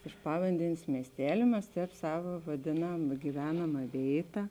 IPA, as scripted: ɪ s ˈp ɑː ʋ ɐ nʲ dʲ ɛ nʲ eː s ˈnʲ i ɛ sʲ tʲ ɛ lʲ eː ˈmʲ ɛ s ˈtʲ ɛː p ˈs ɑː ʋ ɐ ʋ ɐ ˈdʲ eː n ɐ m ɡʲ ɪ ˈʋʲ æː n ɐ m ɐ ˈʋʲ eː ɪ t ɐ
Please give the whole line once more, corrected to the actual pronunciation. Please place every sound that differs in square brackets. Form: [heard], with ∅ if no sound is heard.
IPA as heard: ɪ [ʃ] ˈp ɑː ʋ ɐ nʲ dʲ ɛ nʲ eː s [ˈmʲ] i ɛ sʲ tʲ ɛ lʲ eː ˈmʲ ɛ s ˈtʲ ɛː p ˈs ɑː ʋ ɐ ʋ ɐ ˈdʲ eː n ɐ m ɡʲ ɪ ˈʋʲ æː n ɐ m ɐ ˈʋʲ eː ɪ t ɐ

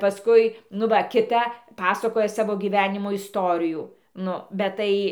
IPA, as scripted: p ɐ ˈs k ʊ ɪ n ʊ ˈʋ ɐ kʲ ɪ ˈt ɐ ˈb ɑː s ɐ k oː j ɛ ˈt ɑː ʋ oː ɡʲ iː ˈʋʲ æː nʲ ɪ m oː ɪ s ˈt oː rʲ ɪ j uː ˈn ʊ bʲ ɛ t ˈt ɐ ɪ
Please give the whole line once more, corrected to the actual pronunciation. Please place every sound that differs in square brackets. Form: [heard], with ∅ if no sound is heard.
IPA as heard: p ɐ ˈs k ʊ ɪ n ʊ ˈʋ ɐ kʲ ɪ ˈt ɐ [ˈp] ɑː s ɐ k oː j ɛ [ˈs] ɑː ʋ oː ɡʲ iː ˈʋʲ æː nʲ ɪ m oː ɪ s ˈt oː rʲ ɪ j uː ˈn ʊ bʲ ɛ t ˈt ɐ ɪ

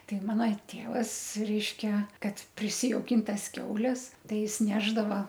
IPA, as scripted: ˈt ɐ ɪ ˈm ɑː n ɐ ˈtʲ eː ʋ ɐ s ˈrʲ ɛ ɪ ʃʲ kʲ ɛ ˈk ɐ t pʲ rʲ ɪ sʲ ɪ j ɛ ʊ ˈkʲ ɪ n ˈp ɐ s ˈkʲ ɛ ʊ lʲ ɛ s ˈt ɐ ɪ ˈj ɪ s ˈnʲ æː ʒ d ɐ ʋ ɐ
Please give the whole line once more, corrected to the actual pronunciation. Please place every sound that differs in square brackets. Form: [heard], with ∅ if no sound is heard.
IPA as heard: ˈt ɐ ɪ ˈm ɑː n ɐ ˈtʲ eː ʋ ɐ s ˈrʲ ɛ ɪ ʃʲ kʲ ɛ ˈk ɐ t pʲ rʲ ɪ sʲ ɪ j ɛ ʊ ˈkʲ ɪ n [ˈt] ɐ s ˈkʲ ɛ ʊ lʲ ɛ s ˈt ɐ ɪ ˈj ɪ s ˈnʲ æː ʒ d ɐ ʋ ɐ

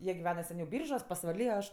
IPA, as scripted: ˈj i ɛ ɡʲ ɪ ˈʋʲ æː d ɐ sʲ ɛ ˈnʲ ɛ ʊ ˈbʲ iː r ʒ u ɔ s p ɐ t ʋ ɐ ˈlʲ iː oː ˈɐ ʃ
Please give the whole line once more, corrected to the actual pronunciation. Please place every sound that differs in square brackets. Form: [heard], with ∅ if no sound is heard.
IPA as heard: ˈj i ɛ ɡʲ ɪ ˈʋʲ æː [n] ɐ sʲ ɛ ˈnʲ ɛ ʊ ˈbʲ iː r ʒ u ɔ s p ɐ [s] ʋ ɐ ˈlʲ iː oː ˈɐ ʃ

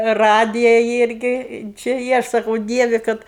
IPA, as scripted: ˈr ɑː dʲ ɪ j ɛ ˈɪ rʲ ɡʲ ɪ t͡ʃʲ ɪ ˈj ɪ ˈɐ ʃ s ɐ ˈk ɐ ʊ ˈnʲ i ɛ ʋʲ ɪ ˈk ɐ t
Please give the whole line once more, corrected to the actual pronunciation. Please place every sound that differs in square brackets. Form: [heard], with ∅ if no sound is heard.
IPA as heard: ˈr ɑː dʲ ɪ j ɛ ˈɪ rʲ ɡʲ ɪ t͡ʃʲ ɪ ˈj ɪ ˈɐ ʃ s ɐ ˈk ɐ ʊ [ˈdʲ] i ɛ ʋʲ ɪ ˈk ɐ t

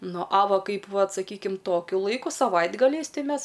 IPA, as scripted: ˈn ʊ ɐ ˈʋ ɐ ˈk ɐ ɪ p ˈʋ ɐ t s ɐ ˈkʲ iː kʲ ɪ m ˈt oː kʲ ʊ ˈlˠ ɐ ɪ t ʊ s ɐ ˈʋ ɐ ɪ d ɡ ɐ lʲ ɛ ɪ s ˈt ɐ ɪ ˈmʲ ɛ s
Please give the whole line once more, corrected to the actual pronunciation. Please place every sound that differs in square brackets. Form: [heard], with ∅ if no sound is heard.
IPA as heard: ˈn ʊ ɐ ˈʋ ɐ ˈk ɐ ɪ p ˈʋ ɐ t s ɐ ˈkʲ iː kʲ ɪ m ˈt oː kʲ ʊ ˈlˠ ɐ ɪ [k] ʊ s ɐ ˈʋ ɐ ɪ d ɡ ɐ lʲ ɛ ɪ s ˈt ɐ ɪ ˈmʲ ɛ s

